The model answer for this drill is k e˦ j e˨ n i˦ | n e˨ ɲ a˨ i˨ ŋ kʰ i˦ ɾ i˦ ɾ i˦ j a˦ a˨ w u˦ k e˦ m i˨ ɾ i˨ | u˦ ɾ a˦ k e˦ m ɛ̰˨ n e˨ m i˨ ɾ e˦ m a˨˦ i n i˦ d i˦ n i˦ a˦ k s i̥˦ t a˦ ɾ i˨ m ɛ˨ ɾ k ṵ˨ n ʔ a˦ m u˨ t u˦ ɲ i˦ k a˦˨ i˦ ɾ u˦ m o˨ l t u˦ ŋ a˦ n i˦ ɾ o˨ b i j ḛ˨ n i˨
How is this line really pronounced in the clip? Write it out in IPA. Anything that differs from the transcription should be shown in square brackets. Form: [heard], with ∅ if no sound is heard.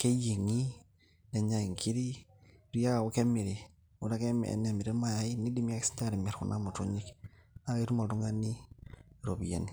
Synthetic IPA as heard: k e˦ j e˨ [ŋ] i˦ | n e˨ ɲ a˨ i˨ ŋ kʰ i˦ ɾ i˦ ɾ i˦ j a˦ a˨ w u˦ k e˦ m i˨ ɾ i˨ | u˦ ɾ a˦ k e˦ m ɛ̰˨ n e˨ m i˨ ɾ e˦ m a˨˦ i n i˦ d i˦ [m] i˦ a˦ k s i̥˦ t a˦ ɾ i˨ m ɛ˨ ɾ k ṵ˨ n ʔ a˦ m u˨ t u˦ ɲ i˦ k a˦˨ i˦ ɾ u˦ m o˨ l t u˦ ŋ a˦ n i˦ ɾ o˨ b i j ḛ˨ n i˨

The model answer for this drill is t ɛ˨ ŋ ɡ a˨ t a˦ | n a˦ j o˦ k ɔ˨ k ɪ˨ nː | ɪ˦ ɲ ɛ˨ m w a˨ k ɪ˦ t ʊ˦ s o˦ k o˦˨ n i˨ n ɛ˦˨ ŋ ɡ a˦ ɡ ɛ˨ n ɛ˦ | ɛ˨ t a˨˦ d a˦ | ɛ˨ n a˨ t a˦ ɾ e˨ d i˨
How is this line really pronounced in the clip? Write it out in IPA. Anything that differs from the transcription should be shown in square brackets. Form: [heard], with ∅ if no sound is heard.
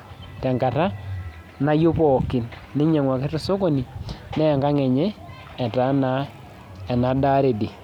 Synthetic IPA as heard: t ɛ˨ ŋ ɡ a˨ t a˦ | n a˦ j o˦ [p] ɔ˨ k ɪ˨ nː | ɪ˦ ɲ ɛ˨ [ŋ] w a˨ k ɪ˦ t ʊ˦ s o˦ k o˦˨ n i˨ n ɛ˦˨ ŋ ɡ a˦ [ŋ] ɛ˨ [ɲ] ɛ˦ | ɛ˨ t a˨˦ [n] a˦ | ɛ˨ n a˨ [d] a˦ ɾ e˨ d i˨

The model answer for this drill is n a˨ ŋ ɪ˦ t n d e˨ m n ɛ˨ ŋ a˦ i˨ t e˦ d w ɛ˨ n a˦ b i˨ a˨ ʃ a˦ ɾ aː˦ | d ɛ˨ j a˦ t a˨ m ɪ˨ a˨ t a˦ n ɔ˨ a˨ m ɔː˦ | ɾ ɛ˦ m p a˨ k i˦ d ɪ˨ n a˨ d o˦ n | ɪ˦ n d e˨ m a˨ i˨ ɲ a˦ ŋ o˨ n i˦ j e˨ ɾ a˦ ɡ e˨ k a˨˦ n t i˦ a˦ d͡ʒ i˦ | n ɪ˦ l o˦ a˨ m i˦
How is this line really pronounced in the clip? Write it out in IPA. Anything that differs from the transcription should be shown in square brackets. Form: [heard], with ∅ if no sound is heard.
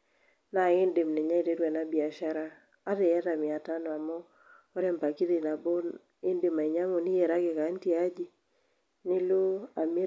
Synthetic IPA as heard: n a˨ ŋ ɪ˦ [∅] n d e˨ m n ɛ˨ [ɲ] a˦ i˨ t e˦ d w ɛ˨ n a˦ b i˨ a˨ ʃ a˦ ɾ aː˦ | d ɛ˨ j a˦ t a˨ m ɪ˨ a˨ t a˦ n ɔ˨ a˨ m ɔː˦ | ɾ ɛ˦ m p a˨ k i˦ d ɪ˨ n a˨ [b] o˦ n | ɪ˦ n d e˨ m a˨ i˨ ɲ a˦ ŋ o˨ n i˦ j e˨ ɾ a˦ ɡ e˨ k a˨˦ n t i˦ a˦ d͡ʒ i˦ | n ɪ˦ l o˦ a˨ m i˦

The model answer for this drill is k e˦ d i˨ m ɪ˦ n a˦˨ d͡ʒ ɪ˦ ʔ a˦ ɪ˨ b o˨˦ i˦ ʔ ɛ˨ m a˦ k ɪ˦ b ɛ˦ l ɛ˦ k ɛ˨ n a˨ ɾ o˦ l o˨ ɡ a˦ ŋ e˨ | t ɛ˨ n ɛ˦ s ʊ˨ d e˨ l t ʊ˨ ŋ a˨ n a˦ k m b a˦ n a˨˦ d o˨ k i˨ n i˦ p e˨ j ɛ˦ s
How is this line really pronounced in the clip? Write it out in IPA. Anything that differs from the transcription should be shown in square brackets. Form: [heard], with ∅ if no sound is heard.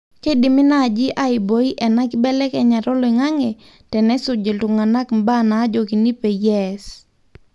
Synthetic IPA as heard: k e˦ d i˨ m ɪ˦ n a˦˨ d͡ʒ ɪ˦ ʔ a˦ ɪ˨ b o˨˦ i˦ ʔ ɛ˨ [n] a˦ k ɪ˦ b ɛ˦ l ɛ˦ k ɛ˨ [ɲ] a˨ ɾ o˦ l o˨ [ŋ] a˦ ŋ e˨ | t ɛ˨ n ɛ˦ s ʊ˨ [d͡ʒ] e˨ l t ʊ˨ ŋ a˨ n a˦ k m b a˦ n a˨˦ [d͡ʒ] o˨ k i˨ n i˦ p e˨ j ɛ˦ s

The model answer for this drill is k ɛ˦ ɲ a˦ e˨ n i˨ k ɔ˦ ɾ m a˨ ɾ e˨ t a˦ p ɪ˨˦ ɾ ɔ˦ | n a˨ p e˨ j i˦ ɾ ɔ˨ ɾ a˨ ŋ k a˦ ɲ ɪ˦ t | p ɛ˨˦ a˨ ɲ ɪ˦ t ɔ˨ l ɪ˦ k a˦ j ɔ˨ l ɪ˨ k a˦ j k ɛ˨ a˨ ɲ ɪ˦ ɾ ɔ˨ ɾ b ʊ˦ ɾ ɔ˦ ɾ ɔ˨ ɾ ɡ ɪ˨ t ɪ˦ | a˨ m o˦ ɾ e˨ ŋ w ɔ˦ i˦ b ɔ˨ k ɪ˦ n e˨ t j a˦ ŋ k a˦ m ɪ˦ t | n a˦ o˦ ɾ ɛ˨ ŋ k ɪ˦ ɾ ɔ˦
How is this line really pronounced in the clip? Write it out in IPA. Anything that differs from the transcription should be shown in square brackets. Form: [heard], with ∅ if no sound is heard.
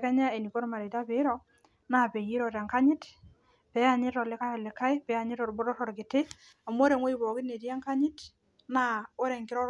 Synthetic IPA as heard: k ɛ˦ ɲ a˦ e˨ n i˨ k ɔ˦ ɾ m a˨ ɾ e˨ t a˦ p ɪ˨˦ ɾ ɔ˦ | n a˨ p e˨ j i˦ ɾ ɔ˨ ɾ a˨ ŋ k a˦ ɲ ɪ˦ t | p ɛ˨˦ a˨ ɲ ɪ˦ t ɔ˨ l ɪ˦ k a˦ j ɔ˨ l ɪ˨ k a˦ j [p] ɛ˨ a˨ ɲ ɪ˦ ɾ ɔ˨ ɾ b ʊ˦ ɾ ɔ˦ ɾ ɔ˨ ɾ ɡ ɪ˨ t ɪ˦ | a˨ m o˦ ɾ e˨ ŋ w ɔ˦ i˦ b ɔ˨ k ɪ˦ n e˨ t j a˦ ŋ k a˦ [ɲ] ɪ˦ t | n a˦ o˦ ɾ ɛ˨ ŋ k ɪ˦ ɾ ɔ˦

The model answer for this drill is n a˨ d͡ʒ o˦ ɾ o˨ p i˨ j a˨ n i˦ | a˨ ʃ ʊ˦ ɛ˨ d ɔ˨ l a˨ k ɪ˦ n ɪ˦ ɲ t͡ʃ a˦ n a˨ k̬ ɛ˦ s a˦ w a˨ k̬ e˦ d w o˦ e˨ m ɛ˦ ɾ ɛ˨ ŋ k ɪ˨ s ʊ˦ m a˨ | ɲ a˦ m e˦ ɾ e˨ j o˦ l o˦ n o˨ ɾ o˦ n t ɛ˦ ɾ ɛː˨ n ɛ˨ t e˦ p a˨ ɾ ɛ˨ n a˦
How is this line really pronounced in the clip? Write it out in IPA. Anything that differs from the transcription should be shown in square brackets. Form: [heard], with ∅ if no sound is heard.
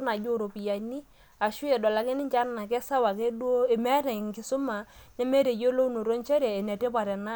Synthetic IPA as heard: n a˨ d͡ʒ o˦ ɾ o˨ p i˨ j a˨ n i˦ | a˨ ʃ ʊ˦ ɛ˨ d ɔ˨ l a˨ k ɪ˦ n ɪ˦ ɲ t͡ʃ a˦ n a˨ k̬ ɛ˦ s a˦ w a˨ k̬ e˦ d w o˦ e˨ m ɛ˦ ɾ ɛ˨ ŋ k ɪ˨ s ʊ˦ m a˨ | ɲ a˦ m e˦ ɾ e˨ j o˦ l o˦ n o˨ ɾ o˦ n [t͡ʃ] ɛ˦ ɾ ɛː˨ n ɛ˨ t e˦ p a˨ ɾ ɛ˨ n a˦

